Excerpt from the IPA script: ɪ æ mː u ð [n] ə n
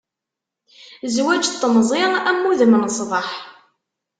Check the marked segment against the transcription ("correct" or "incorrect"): incorrect